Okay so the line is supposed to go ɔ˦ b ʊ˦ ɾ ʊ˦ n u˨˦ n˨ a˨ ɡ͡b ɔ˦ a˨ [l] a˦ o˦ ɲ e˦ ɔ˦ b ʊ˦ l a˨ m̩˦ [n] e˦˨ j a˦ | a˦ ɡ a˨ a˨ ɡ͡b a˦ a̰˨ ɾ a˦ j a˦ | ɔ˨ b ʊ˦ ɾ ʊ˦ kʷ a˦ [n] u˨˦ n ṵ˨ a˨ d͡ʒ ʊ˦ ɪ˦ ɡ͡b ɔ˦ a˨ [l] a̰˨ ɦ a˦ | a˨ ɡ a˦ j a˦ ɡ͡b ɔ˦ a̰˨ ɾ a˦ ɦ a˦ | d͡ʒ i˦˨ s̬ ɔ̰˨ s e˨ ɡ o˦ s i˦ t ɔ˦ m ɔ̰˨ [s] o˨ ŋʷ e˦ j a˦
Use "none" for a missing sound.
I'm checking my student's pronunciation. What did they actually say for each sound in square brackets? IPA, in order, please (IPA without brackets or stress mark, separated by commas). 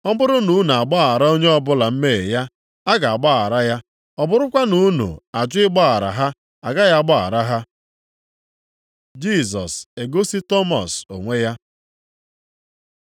ɾ, m, n, ɾ, s